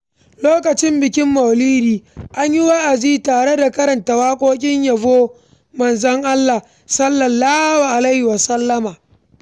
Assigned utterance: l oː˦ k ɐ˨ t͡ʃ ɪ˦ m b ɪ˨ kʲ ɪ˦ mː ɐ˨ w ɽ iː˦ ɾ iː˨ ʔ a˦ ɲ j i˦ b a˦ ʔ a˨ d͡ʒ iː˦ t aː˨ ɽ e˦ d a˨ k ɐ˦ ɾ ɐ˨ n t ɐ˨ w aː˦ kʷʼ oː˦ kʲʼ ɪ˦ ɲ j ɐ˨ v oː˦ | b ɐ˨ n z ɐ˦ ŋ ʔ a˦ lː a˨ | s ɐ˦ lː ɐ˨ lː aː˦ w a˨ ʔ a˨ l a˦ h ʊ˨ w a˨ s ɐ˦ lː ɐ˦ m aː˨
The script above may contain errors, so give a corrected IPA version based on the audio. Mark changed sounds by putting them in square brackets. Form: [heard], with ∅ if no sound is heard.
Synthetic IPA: l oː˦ k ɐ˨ t͡ʃ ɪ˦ m b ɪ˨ kʲ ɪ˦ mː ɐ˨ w [l] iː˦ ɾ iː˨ ʔ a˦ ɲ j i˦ [w] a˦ ʔ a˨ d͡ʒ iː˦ t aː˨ ɽ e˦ d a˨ k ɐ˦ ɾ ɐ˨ n t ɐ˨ w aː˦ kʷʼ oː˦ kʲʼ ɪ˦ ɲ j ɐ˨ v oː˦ | [m] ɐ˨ n z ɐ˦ ŋ ʔ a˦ lː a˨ | s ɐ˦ lː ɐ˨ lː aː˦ w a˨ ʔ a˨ l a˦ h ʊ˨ w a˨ s ɐ˦ lː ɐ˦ m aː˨